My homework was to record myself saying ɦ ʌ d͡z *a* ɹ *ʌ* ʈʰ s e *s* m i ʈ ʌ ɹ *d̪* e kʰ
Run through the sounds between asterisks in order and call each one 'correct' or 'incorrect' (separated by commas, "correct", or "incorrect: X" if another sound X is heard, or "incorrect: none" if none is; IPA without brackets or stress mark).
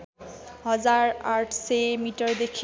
correct, incorrect: a, incorrect: none, correct